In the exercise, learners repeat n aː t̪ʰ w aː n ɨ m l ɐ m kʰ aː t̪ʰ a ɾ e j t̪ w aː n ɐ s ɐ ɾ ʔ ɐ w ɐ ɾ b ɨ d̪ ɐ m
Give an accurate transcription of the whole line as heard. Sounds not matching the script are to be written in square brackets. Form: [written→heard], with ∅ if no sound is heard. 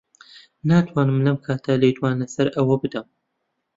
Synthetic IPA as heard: n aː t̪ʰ w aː n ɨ m l ɐ m kʰ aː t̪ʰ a [ɾ→l] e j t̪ w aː n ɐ s ɐ ɾ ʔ ɐ w ɐ [ɾ→∅] b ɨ d̪ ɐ m